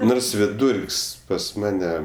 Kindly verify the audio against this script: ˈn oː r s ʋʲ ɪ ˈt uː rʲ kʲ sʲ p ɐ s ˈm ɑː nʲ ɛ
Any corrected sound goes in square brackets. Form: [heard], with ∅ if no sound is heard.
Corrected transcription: ˈn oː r s ʋʲ ɪ [ˈd] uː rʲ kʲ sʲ p ɐ s ˈm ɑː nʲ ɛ